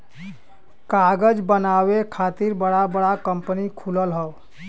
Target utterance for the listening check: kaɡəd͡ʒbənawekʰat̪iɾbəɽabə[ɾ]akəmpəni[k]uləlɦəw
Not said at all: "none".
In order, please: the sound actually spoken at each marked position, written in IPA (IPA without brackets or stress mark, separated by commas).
ɽ, kʰ